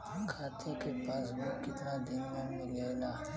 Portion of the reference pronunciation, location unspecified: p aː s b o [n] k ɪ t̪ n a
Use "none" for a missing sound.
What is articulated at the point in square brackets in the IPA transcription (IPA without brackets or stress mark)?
none